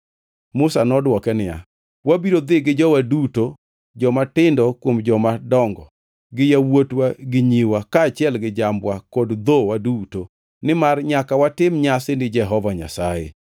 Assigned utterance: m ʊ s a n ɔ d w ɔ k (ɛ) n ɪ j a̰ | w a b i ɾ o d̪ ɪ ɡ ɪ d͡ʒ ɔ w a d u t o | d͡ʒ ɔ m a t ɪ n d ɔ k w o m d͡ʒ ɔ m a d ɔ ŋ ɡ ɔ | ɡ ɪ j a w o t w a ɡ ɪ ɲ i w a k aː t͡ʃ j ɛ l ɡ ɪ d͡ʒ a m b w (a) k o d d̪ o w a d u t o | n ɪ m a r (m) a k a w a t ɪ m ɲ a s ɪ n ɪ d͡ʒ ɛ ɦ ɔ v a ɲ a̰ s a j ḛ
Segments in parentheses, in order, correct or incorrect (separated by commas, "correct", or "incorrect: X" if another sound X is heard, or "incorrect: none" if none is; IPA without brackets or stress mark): correct, correct, incorrect: ɲ